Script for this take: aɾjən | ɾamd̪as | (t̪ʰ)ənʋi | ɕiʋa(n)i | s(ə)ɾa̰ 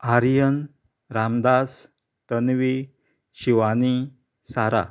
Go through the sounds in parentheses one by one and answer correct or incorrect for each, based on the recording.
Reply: incorrect, correct, incorrect

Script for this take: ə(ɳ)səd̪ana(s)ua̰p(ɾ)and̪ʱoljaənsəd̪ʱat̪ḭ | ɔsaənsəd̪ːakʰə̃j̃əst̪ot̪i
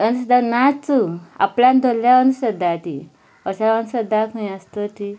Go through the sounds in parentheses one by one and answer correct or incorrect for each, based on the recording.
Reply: incorrect, incorrect, incorrect

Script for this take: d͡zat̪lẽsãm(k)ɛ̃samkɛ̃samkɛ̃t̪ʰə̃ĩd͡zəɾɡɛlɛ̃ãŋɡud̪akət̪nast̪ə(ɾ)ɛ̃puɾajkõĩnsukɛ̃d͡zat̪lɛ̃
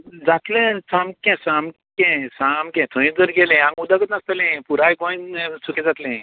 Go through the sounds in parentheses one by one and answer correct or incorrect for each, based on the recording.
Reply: correct, incorrect

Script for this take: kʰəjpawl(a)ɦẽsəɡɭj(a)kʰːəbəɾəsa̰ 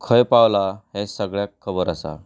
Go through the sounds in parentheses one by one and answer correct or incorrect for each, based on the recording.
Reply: correct, correct

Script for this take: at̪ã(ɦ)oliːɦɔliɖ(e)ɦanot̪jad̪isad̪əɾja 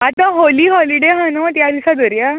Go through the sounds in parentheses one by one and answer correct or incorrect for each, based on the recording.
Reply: correct, correct

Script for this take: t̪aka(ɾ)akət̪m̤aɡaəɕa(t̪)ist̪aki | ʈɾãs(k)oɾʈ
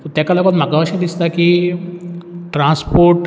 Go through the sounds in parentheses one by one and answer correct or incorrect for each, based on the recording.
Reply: incorrect, incorrect, incorrect

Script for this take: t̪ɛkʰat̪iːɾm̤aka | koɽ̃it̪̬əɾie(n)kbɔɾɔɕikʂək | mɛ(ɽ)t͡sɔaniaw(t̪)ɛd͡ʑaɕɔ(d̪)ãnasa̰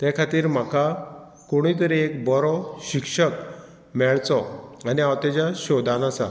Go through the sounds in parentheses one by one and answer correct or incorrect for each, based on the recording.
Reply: incorrect, incorrect, correct, correct

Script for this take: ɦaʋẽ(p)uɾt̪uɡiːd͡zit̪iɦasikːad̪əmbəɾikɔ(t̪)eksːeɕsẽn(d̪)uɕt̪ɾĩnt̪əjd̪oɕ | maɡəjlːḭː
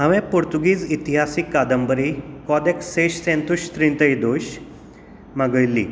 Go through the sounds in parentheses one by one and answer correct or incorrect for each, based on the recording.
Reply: correct, incorrect, incorrect

